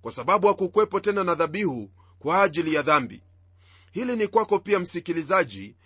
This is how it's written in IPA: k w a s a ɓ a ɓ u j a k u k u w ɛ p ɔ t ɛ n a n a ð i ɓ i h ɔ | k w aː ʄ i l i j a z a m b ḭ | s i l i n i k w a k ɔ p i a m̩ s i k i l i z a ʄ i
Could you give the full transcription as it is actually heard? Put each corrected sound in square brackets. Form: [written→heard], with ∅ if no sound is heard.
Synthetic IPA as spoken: k w a s a ɓ a ɓ u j a k u k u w ɛ p ɔ t ɛ n a n a ð [i→a] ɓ i h [ɔ→u] | k w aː ʄ i l i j a [z→ð] a m b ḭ | [s→h] i l i n i k w a k ɔ p i a m̩ s i k i l i z a ʄ i